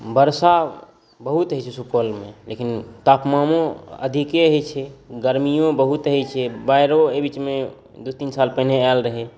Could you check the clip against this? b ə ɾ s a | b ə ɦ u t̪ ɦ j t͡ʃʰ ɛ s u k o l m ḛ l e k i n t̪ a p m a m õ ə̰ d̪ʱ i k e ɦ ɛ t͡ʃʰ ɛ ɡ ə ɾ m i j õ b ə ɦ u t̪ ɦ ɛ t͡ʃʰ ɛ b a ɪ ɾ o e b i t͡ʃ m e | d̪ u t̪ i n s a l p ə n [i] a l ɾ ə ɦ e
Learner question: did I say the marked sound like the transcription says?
no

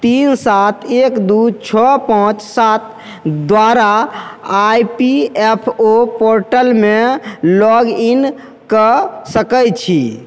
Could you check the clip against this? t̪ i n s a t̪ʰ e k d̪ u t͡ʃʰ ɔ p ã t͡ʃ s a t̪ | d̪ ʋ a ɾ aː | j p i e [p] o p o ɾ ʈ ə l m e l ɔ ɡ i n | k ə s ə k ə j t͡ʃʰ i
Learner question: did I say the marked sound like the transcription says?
no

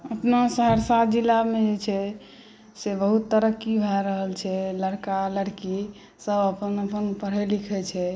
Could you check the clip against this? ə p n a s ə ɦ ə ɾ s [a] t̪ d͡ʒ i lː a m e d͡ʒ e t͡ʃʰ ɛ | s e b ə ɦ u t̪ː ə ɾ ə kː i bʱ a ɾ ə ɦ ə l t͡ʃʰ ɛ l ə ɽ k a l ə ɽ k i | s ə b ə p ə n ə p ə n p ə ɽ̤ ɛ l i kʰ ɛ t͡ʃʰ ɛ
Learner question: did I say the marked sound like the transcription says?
yes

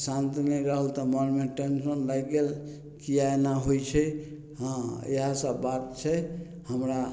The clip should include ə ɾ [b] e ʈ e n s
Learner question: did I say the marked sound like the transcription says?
no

